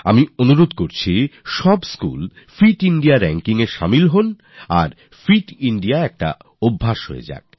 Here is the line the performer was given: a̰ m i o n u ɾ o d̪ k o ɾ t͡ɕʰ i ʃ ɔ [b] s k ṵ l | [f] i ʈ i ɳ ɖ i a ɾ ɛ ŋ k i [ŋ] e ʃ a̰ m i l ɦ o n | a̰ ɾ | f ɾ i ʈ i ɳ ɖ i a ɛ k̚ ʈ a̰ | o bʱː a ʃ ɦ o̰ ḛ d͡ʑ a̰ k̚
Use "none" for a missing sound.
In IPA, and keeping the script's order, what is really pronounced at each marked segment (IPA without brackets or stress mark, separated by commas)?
b, f, ŋ